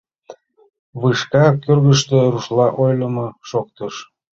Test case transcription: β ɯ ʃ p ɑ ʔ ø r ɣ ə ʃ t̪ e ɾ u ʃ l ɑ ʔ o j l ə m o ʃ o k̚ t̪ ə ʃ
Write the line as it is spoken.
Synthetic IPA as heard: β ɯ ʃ k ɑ k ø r ɣ ə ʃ t̪ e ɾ u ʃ l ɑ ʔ o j l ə m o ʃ o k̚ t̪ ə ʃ